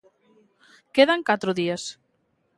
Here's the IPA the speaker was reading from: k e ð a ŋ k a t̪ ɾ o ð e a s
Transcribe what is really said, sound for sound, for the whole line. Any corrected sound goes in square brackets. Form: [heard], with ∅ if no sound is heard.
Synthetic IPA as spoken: k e ð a ŋ k a t̪ ɾ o ð [i] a s